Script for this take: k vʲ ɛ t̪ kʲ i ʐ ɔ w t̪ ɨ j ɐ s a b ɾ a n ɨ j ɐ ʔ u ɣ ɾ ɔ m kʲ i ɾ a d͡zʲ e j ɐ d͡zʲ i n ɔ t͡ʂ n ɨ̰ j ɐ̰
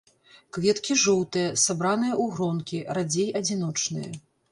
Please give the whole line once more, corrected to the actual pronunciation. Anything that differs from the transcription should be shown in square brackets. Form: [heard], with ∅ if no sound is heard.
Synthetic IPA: k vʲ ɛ t̪ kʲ i ʐ ɔ w t̪ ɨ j ɐ s a b ɾ a n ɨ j ɐ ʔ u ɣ ɾ ɔ [n] kʲ i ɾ a d͡zʲ e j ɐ d͡zʲ i n ɔ t͡ʂ n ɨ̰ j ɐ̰